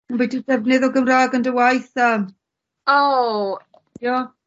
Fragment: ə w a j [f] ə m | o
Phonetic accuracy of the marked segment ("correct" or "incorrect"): incorrect